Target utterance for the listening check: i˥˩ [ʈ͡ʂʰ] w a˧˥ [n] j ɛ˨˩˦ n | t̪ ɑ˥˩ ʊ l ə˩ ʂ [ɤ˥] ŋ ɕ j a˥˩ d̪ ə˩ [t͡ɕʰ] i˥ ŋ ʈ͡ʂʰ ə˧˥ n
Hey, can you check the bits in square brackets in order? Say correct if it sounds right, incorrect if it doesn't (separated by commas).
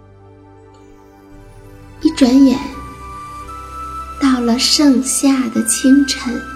incorrect, correct, incorrect, correct